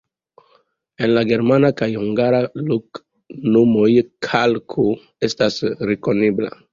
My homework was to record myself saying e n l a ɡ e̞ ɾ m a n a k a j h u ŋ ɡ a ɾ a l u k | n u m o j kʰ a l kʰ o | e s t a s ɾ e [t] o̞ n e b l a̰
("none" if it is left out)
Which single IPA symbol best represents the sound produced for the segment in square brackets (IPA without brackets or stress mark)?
k